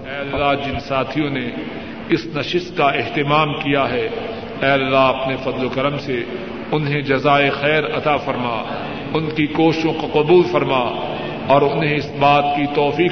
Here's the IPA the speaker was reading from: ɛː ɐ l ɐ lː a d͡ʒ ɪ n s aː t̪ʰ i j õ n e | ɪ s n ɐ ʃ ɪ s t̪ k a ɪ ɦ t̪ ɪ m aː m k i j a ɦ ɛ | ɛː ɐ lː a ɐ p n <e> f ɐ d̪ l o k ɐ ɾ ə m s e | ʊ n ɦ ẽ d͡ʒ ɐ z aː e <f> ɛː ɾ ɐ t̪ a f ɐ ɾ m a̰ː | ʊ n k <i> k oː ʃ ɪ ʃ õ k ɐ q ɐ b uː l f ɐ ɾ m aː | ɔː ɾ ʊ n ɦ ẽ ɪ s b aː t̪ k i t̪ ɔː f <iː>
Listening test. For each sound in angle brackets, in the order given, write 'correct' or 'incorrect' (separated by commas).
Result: correct, incorrect, correct, correct